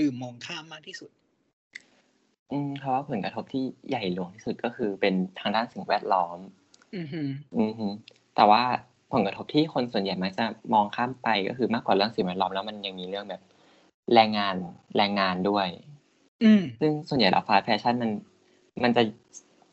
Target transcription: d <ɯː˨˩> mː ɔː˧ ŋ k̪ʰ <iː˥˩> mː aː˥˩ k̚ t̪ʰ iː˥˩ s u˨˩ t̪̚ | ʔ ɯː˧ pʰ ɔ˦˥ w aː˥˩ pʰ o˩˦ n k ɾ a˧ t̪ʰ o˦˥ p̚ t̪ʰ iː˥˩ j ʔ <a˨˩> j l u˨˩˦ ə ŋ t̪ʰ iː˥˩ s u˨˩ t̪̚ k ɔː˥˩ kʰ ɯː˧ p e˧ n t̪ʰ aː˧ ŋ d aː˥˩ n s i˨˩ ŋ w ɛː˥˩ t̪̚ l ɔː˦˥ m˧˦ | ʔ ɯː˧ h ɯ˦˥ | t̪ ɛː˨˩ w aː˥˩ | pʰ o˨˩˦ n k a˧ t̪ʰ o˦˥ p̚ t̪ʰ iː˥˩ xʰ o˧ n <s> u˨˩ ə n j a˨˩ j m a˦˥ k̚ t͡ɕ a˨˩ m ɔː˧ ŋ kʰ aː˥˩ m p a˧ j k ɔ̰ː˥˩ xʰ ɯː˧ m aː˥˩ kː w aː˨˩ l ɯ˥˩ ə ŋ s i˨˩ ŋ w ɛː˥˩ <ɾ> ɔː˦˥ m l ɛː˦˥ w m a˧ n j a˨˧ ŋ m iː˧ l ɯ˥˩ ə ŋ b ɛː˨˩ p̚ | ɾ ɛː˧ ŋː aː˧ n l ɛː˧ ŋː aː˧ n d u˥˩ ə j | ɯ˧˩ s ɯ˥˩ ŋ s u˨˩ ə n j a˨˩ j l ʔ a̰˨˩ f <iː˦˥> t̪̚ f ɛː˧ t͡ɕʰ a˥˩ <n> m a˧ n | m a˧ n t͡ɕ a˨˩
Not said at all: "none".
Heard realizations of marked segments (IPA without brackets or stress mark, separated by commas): ɯː˨˩, aː˥˩, a˨˩, s, l, aː˦˥, n